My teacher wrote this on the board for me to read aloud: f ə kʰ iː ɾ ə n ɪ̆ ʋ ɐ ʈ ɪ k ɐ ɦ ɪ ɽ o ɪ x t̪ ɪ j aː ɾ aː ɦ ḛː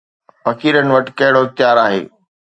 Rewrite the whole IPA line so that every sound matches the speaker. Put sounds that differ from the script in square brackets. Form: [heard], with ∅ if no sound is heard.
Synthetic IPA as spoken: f [ɐ] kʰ iː ɾ ə n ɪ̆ ʋ ɐ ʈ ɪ k ɐ ɦ ɪ ɽ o ɪ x t̪ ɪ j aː ɾ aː ɦ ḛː